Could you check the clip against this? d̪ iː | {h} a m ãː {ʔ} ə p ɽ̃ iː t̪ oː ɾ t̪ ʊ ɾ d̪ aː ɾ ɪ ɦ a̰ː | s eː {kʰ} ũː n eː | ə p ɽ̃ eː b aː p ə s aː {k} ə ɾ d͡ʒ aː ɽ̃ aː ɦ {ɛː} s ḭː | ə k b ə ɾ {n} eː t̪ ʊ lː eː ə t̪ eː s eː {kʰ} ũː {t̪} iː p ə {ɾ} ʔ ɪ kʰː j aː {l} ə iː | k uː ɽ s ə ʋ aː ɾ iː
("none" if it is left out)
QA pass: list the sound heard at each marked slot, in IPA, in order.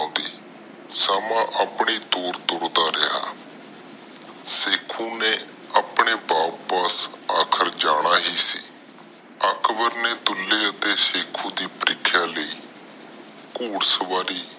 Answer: s, ʔ, kʰ, kʰ, iː, n, kʰ, d̪, ɾ, l

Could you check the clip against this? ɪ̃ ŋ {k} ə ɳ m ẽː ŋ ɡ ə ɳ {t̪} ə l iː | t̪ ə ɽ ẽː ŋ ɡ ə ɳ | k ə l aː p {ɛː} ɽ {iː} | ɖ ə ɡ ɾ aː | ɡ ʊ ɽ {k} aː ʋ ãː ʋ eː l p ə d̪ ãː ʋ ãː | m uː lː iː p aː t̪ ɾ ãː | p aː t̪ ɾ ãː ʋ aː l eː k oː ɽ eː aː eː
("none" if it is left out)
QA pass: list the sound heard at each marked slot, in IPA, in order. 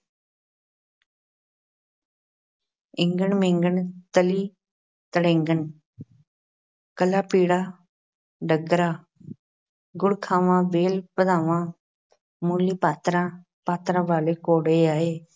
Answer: ɡ, t̪, iː, aː, kʰ

